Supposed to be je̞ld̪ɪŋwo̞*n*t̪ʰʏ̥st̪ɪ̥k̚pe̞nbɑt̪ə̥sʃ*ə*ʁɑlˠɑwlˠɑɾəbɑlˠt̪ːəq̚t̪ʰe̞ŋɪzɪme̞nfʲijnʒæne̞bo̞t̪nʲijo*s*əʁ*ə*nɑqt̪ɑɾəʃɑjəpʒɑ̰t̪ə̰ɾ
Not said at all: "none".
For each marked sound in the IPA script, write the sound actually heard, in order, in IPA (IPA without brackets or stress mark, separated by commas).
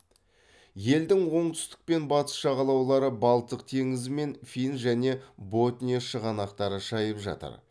ɴ, ɑ, ʃ, ɑ